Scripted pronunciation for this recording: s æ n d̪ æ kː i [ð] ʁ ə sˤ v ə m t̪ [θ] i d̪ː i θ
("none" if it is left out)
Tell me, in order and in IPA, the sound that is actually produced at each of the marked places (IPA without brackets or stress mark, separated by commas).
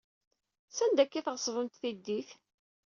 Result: θ, θ